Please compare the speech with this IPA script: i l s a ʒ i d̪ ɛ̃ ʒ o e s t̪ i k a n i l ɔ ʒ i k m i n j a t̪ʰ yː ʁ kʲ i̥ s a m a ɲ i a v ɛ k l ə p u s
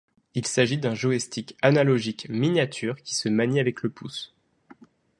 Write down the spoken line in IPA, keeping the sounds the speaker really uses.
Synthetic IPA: i l s a ʒ i d̪ ɛ̃ ʒ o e s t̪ i k a n a l ɔ ʒ i k m i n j a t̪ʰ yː ʁ kʲ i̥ s ə m a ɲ i a v ɛ k l ə p u s